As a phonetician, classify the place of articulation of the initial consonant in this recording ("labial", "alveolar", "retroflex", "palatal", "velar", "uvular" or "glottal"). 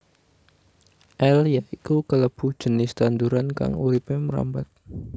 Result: glottal